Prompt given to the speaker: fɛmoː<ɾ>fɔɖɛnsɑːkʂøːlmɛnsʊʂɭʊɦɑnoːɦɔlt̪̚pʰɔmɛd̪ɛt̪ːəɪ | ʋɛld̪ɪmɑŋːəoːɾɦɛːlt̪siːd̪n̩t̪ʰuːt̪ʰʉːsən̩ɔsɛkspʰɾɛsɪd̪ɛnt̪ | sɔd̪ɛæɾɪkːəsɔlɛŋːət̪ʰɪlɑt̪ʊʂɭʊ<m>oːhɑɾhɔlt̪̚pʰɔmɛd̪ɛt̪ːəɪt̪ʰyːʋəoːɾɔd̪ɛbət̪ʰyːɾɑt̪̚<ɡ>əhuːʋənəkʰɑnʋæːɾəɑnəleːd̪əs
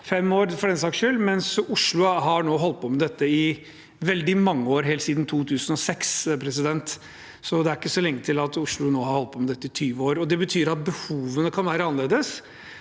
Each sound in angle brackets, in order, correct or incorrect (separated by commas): correct, incorrect, incorrect